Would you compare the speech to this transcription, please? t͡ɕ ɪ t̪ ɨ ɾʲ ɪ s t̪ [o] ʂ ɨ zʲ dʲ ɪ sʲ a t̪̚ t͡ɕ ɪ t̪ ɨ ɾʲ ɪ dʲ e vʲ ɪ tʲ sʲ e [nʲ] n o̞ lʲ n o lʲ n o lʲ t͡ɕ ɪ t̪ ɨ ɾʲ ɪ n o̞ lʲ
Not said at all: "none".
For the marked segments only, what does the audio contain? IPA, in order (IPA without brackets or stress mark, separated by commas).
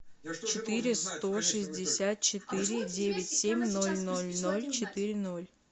o, mʲ